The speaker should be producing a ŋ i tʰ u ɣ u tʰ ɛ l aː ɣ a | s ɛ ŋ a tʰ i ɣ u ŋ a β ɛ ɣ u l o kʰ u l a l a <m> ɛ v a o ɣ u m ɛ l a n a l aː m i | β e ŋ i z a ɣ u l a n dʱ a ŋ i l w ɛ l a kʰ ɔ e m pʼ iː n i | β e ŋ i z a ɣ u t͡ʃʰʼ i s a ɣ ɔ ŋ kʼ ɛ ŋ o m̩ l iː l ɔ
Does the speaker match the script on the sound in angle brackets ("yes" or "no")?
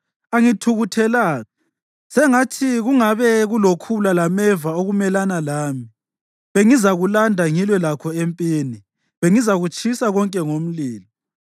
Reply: yes